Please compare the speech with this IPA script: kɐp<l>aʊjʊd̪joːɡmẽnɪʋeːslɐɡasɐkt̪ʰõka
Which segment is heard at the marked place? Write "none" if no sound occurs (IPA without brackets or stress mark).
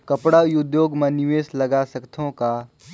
ɽ